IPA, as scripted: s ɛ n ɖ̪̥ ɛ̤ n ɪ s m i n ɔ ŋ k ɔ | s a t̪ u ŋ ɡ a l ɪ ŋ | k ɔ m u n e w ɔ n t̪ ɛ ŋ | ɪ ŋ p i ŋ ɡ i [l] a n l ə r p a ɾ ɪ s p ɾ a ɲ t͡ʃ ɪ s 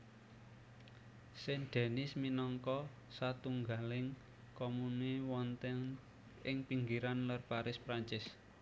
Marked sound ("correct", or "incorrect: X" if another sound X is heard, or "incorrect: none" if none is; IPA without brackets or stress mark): incorrect: ɾ